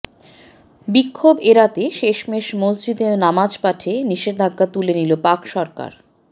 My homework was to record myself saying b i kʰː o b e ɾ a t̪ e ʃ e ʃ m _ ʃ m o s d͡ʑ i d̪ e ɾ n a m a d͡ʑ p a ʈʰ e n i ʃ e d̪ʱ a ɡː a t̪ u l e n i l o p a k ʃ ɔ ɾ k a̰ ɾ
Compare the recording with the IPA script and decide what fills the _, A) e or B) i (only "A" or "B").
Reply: A